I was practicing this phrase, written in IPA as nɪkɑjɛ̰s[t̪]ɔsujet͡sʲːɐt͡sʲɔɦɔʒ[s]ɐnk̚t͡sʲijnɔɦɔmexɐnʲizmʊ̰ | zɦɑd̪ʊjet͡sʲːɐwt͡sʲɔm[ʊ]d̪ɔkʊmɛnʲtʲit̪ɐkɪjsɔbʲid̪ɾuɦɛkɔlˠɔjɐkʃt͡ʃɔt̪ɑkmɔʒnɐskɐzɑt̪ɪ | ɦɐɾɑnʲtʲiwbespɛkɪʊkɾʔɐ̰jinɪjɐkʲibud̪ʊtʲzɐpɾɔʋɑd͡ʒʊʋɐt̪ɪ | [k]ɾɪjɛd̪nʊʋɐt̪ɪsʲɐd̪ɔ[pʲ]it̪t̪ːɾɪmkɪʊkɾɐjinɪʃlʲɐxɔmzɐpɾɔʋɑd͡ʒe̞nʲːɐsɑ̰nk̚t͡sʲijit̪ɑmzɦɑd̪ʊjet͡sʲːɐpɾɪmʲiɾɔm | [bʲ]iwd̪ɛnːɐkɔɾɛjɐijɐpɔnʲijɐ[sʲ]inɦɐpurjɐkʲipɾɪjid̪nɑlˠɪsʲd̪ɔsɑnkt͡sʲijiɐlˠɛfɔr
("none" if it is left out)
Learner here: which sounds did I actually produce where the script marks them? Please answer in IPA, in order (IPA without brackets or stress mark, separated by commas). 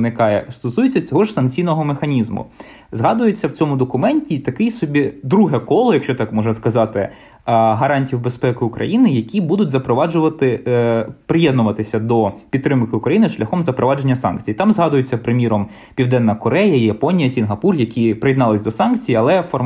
t̪, s, ʊ, p, pʲ, pʲ, sʲ